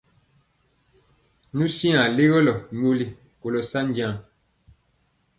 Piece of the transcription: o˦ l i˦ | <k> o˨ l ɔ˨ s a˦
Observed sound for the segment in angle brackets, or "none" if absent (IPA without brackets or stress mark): k